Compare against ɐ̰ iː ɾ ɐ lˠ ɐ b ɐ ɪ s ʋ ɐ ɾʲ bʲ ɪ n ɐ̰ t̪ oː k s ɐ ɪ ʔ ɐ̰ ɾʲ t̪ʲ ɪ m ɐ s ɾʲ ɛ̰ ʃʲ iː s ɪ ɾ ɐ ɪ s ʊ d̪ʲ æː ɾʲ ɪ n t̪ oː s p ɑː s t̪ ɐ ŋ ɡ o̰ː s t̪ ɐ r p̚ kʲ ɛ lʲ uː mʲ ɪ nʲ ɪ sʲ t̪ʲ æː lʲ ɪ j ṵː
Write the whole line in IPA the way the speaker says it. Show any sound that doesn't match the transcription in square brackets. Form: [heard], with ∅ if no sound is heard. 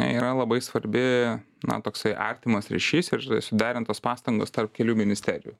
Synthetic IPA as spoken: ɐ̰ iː ɾ ɐ lˠ ɐ b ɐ ɪ s ʋ ɐ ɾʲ bʲ ɪ n ɐ̰ t̪ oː k s ɐ ɪ ʔ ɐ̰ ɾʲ t̪ʲ ɪ m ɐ s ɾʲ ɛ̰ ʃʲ iː s ɪ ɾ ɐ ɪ s ʊ d̪ʲ æː ɾʲ ɪ n t̪ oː s p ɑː s t̪ ɐ ŋ ɡ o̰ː s t̪ ɐ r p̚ kʲ ɛ lʲ uː mʲ ɪ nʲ ɪ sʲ t̪ʲ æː [ɾʲ] ɪ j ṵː